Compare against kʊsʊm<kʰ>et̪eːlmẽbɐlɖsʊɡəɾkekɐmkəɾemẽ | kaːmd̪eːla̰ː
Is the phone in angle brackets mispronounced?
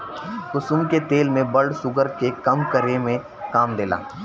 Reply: yes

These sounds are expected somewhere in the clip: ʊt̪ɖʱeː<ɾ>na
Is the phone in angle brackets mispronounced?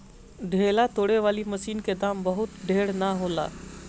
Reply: yes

